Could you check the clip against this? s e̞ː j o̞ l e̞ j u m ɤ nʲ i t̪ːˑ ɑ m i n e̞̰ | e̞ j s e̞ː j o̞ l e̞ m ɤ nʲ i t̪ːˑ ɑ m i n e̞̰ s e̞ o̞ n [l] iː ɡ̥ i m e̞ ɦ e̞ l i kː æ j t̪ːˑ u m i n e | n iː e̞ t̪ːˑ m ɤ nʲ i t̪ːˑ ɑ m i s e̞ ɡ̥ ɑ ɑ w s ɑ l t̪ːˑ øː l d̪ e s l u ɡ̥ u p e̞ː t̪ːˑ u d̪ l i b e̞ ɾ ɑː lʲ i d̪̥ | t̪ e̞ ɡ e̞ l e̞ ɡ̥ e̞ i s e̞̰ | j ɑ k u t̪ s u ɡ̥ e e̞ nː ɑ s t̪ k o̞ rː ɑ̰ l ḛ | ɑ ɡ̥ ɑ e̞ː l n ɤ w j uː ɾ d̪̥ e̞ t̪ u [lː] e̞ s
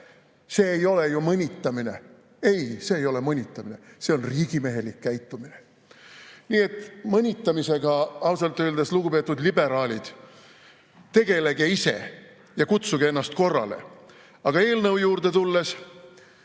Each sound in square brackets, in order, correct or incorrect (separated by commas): incorrect, correct